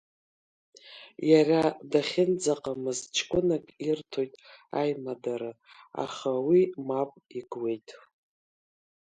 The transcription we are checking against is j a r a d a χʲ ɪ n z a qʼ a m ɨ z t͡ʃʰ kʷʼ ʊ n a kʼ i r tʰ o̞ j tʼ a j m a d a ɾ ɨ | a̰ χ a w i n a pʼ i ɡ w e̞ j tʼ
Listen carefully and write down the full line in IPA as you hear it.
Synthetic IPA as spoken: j a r a d a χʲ ɪ n d͡z a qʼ a m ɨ z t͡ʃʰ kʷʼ ʊ n a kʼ i r tʰ o̞ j tʼ a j m a d a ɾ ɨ | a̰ χ a w i m a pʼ i ɡ w e̞ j tʼ